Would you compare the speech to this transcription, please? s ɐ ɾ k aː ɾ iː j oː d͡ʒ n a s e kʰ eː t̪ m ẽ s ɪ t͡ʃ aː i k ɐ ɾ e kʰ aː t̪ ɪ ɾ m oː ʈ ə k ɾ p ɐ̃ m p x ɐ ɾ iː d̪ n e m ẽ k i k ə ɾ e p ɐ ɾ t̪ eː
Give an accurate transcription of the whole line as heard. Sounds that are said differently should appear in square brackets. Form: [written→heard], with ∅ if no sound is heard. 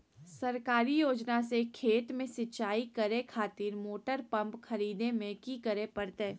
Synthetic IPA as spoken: s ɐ ɾ k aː ɾ [iː→i] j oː d͡ʒ n a s e kʰ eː t̪ m ẽ s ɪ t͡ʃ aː i k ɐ ɾ e kʰ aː t̪ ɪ ɾ m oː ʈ ə [k→∅] ɾ p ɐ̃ m p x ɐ ɾ iː d̪ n e m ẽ k i k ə ɾ e p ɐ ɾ t̪ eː